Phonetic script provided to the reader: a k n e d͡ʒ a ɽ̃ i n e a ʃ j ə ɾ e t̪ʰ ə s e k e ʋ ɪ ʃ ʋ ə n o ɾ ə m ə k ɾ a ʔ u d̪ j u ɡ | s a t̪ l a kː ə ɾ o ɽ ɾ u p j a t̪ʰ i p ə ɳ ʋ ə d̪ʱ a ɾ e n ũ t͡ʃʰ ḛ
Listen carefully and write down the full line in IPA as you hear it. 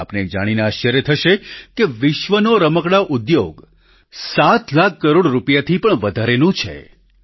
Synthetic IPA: a p n e d͡ʒ a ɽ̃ i n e a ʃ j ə ɾ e t̪ʰ ə ʃ e k e ʋ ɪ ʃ ʋ ə n o ɾ ə m ə k ɽ a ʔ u d̪ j o ɡ | s a t̪ l a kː ə ɾ o ɽ ɾ u p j a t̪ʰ i p ə ɳ ʋ ə d̪ʱ a ɾ e n ũ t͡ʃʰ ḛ